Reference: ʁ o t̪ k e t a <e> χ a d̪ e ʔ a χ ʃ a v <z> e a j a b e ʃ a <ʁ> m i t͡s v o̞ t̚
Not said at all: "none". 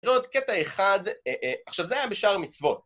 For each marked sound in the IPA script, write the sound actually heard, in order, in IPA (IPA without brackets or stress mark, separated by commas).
e, z, ʁ